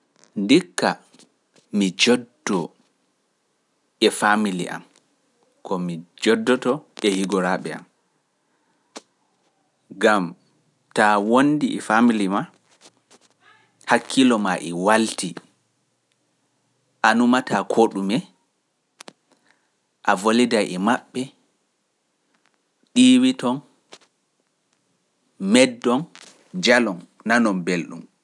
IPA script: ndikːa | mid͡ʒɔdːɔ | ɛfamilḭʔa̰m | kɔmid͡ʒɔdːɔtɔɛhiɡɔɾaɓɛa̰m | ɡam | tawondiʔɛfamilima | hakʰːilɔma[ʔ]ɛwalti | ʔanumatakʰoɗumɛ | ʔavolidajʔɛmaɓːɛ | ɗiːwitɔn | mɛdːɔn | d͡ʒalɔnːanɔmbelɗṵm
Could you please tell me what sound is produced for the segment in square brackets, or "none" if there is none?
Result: ʔ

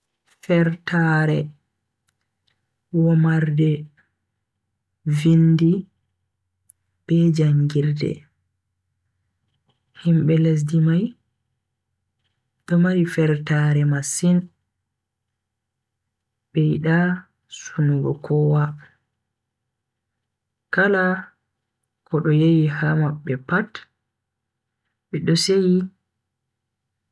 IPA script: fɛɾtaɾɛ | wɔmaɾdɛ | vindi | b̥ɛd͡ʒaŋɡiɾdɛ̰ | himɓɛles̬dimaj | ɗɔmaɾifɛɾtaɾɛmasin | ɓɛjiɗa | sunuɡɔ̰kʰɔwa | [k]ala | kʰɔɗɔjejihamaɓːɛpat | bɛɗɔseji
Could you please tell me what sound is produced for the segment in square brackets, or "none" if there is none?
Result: k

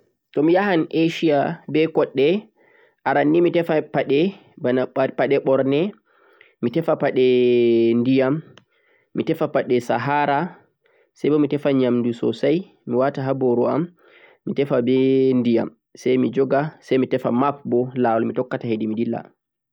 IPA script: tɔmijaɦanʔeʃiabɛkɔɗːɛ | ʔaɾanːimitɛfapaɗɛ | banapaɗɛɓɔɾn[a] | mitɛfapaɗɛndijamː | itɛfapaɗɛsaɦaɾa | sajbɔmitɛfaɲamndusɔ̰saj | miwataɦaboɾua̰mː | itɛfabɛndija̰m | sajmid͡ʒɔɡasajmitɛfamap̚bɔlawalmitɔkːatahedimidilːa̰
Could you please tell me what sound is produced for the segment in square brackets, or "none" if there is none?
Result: ɛ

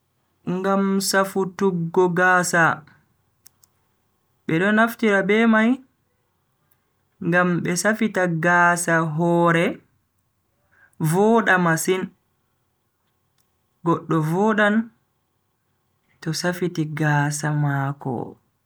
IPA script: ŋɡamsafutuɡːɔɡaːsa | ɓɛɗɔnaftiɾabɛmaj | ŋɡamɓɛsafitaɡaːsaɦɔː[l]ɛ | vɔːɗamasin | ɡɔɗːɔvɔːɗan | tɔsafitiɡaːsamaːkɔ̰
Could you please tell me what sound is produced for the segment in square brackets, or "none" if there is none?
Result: ɾ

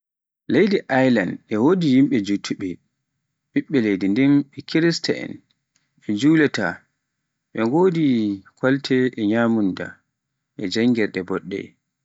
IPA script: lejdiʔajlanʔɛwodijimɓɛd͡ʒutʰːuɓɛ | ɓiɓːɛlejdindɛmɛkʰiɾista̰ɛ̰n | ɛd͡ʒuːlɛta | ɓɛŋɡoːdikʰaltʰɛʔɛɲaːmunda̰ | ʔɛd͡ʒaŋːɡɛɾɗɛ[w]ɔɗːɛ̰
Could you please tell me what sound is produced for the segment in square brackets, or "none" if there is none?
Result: b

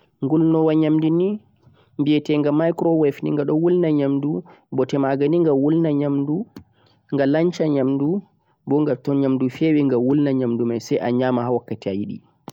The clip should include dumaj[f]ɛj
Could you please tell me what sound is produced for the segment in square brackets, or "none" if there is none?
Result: s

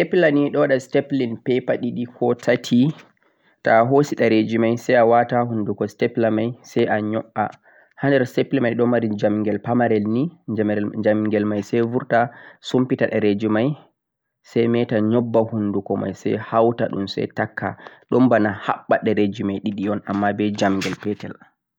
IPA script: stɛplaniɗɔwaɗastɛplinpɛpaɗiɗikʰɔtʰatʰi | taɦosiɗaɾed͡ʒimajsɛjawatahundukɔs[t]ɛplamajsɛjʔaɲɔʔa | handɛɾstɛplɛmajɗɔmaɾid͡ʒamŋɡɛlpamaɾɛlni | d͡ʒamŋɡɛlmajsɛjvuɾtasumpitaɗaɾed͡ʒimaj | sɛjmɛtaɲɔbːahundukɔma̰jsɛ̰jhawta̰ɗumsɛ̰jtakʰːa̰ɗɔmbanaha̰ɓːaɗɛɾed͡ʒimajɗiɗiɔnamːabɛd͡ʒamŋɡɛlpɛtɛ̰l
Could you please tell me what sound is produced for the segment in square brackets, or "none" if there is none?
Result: t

